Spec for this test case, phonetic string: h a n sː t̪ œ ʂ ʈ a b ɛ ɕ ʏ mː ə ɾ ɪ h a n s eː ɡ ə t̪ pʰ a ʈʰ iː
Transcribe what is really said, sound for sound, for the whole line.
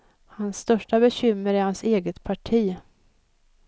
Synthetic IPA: h a n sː t̪ œ ʂ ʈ a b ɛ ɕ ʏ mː ə ɾ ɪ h a n s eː ɡ ə t̪ pʰ a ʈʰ iː